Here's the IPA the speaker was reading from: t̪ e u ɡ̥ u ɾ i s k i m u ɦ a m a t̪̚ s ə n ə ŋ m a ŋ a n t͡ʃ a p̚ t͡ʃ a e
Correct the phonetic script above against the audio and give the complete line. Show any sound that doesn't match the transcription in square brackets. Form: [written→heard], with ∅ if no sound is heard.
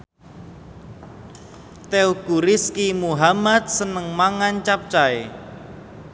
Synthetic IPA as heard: t̪ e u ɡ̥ u ɾ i s k i m u ɦ a m a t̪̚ s ə n ə ŋ m a ŋ a n t͡ʃ a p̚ t͡ʃ a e